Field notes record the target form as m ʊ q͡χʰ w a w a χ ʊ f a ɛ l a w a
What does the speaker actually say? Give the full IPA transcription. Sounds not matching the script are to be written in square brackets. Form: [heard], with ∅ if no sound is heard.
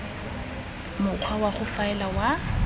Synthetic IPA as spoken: m ʊ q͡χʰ w a w a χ ʊ f a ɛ l a w a